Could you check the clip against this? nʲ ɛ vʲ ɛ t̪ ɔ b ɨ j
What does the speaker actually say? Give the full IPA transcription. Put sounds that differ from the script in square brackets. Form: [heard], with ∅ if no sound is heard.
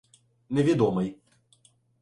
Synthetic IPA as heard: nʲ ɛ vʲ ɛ [d̪] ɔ [m] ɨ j